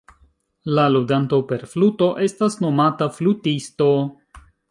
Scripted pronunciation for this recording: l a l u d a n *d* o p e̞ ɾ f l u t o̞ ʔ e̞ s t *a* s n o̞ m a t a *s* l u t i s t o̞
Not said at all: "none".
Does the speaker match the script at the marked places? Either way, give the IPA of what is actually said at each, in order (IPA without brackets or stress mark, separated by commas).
t, a, f